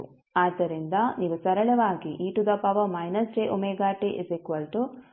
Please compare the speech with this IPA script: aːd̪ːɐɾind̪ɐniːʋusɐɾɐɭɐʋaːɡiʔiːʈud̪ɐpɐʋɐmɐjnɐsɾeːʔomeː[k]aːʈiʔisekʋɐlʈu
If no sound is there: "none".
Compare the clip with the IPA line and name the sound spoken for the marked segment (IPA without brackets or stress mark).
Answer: ɡ